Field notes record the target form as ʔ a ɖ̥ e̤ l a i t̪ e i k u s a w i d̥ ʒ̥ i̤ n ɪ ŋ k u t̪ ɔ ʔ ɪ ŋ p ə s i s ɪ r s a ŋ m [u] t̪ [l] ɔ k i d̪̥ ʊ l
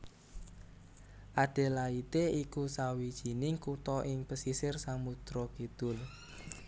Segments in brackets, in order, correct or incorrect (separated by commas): correct, incorrect